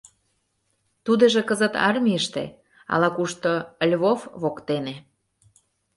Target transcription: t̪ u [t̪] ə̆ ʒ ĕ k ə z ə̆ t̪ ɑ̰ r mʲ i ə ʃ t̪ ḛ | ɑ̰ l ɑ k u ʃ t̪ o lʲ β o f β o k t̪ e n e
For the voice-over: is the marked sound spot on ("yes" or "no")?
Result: no